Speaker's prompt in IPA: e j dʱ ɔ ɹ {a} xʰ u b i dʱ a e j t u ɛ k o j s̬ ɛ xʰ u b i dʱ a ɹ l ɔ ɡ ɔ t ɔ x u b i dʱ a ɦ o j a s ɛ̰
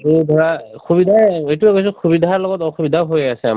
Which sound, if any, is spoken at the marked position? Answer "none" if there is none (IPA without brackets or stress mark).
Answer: a